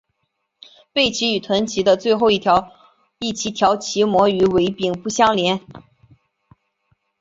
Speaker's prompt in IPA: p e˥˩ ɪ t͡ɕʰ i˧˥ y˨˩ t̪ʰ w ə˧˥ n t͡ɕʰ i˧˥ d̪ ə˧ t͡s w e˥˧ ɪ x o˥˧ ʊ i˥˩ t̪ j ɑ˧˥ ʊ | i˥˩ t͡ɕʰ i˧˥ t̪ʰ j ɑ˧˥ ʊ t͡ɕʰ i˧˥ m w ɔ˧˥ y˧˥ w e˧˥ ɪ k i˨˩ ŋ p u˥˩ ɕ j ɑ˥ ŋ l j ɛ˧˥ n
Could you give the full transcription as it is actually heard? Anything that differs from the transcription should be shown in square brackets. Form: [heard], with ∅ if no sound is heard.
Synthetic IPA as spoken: p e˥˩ ɪ t͡ɕʰ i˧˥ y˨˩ t̪ʰ w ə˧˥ n t͡ɕʰ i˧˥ d̪ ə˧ t͡s w e˥˧ ɪ x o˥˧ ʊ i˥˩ [t̪ʰ] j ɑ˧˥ ʊ | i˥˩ t͡ɕʰ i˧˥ t̪ʰ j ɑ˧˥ ʊ t͡ɕʰ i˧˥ m w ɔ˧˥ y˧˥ w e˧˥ ɪ [p] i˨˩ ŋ p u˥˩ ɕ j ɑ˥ ŋ l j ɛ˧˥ n